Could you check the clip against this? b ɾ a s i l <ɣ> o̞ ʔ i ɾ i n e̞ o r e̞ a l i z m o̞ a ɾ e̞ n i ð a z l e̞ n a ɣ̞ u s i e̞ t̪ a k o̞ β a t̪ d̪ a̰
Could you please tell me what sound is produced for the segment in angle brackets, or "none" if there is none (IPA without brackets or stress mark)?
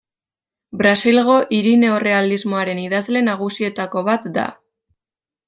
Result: ɣ